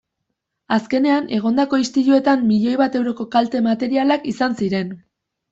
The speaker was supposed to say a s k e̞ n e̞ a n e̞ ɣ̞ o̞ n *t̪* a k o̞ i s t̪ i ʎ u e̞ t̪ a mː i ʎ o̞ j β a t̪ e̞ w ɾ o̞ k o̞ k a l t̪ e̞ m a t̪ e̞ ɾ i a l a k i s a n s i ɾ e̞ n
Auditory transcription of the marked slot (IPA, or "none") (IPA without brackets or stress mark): d̪